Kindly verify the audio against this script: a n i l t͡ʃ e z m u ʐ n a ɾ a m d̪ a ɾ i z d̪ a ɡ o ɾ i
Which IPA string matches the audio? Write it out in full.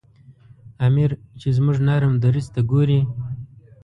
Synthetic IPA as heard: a m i ɾ t͡ʃ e z m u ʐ n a ɾ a m d̪ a ɾ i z t̪ a ɡ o ɾ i